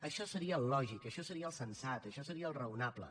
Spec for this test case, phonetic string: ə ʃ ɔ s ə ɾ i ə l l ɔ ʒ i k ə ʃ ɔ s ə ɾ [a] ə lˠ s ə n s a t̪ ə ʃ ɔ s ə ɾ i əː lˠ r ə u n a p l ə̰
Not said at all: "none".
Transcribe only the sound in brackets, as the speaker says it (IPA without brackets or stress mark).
i